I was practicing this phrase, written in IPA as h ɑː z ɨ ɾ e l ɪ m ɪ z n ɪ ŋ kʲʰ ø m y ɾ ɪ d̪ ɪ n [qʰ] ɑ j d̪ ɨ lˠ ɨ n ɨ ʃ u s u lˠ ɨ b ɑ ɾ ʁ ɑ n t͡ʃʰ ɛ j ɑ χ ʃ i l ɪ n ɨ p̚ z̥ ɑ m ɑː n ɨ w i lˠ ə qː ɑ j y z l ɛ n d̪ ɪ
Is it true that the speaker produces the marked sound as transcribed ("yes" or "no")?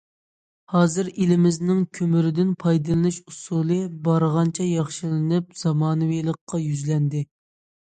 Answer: no